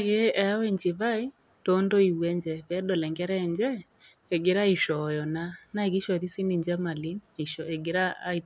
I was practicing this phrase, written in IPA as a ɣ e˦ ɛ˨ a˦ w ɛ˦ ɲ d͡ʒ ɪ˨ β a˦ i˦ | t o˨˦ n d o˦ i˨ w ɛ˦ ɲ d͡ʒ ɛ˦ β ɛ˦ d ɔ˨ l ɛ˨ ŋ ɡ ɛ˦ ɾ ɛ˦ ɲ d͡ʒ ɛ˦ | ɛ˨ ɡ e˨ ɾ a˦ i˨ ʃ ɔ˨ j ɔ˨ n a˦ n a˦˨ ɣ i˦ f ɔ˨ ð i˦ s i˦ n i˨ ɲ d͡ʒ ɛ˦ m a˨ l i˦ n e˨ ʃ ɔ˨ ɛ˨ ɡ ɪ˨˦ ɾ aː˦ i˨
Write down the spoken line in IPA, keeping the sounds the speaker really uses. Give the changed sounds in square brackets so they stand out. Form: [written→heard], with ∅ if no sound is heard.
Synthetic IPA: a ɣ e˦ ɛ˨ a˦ w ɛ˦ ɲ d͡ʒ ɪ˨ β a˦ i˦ | t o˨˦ n d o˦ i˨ w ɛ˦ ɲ d͡ʒ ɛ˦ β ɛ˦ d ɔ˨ l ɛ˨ ŋ ɡ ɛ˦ ɾ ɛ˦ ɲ d͡ʒ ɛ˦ | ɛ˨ ɡ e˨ ɾ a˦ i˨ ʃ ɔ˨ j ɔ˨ n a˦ n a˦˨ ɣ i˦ [f→ʃ] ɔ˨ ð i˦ s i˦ n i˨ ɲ d͡ʒ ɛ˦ m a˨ l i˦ n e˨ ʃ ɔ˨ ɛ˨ ɡ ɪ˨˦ ɾ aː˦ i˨